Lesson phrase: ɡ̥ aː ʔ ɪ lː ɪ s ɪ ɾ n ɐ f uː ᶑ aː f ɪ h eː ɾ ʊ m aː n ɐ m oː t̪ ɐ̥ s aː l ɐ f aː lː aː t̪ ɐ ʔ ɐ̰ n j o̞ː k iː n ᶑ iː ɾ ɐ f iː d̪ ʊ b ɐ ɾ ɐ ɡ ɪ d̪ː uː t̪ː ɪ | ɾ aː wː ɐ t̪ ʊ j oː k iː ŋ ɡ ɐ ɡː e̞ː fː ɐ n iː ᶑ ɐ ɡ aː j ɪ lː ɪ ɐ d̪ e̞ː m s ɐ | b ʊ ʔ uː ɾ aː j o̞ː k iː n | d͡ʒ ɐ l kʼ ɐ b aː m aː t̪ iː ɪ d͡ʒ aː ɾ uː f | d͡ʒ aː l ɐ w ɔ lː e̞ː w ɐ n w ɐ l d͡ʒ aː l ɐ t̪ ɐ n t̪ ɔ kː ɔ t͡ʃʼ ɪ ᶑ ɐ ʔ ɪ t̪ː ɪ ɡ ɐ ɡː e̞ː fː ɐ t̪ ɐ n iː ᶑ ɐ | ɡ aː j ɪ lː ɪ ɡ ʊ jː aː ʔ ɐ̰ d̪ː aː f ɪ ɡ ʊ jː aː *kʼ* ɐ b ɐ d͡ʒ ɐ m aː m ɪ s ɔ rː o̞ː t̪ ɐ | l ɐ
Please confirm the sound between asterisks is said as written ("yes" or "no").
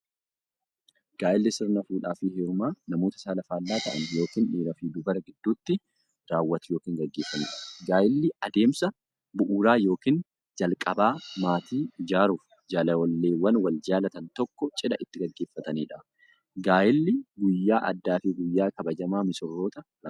no